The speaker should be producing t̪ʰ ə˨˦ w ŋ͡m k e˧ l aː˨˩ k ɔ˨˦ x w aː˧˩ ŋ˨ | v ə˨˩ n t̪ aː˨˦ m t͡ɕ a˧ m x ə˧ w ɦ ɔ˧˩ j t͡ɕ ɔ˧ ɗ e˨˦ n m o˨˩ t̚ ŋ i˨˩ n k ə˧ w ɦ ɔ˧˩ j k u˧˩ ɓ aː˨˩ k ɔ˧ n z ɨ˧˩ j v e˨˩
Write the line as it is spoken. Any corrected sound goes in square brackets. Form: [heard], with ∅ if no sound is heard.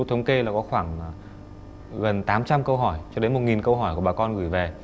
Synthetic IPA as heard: t̪ʰ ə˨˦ w ŋ͡m k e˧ l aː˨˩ k ɔ˨˦ x w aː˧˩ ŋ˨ | [ɣ] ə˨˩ n t̪ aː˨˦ m t͡ɕ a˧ m [k] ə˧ w ɦ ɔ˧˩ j t͡ɕ ɔ˧ ɗ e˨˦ n m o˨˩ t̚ ŋ i˨˩ n k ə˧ w ɦ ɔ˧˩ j k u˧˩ ɓ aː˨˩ k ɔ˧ n [ɣ] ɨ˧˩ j v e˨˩